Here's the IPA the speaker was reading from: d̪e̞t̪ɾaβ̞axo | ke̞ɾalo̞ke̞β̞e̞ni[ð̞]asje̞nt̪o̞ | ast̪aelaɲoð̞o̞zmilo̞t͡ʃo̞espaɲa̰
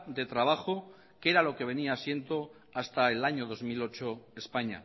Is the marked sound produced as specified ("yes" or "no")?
no